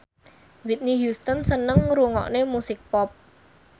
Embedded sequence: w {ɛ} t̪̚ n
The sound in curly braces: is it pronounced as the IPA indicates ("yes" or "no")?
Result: no